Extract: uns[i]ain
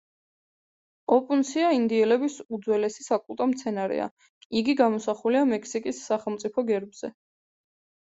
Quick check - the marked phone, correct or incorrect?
correct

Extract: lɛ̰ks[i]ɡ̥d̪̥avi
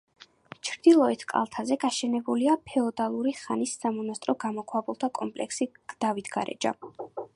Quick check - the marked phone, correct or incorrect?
correct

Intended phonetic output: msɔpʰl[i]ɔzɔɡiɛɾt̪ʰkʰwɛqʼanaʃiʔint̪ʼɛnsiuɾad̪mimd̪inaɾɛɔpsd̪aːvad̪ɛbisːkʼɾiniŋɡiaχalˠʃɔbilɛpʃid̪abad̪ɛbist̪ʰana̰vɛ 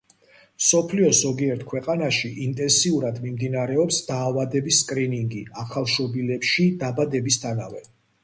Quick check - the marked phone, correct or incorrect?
correct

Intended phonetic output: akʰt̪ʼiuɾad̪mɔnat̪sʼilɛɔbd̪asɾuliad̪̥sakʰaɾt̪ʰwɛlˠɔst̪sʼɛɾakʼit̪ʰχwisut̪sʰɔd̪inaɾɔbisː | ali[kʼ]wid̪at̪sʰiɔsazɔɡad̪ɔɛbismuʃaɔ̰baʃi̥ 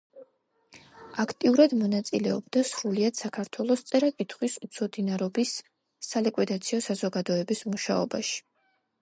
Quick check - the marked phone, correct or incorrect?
correct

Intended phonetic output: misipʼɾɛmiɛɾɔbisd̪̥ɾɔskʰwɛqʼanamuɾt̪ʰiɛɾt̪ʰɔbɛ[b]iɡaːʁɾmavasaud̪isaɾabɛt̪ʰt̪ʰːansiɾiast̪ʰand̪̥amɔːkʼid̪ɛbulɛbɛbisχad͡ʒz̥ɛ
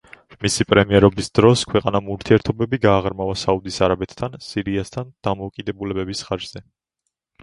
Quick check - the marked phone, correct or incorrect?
correct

